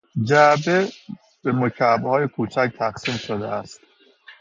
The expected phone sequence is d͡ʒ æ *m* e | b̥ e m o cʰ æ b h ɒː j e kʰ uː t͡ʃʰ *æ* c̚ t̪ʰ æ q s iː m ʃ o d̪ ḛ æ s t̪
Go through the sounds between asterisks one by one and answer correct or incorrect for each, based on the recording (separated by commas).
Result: incorrect, correct